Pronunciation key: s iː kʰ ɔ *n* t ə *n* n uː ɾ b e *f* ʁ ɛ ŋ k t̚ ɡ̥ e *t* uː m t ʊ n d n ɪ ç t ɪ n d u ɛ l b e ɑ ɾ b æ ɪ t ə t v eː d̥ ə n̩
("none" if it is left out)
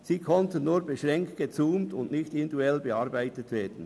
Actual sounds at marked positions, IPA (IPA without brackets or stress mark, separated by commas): n, n, ʃ, t͡s